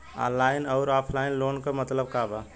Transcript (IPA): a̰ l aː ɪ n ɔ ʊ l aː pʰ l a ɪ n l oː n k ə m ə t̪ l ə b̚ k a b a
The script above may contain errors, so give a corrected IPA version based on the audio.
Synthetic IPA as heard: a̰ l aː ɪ n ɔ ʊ ɾ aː pʰ l a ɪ n l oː n k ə m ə t̪ l ə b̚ k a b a